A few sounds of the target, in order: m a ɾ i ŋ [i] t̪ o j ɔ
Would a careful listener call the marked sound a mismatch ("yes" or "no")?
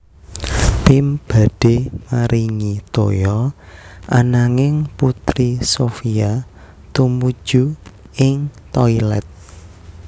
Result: no